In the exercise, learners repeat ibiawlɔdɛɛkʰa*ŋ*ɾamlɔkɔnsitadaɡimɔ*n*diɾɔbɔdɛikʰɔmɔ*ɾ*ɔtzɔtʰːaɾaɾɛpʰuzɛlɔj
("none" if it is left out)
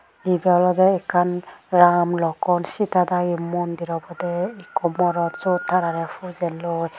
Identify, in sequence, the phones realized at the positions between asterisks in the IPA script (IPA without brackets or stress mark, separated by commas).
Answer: n, n, ɾ